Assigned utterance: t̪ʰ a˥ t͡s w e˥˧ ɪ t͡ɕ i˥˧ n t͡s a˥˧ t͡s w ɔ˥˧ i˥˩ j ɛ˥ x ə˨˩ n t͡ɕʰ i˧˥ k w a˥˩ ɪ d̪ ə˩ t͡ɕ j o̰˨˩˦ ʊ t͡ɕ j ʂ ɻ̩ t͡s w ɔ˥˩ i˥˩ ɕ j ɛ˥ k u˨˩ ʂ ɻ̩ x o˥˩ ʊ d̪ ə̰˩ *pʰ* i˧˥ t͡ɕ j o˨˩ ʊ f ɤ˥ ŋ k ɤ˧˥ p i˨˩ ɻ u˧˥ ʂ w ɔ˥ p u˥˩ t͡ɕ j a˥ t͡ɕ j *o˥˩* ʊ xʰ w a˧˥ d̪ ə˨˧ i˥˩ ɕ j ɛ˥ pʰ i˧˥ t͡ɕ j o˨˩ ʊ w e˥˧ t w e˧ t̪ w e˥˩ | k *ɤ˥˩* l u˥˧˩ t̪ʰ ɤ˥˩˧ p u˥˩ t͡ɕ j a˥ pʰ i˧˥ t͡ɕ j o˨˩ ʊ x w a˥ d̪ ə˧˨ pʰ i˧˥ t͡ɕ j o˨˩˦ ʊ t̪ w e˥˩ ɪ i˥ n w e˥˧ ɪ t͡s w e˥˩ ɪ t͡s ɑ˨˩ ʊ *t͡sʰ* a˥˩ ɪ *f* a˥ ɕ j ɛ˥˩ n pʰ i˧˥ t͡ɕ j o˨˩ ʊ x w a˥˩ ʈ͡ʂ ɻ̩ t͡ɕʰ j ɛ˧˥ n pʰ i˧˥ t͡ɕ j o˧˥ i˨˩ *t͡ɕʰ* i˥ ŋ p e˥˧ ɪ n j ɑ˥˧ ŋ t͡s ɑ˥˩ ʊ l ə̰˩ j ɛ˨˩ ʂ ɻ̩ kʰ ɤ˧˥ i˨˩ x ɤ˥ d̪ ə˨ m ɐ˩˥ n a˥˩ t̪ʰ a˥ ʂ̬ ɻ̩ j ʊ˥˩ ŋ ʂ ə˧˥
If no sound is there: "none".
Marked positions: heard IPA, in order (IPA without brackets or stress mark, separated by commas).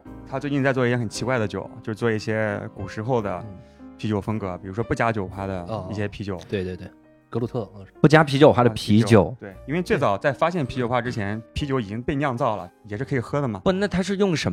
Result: pʰ, o˨˩, ɤ˧˥, t͡s, f, t͡ɕ